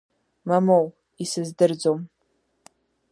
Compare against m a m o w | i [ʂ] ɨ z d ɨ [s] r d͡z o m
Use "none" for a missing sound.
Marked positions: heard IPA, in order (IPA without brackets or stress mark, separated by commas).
s, none